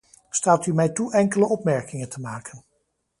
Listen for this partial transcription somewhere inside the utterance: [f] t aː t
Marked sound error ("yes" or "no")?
yes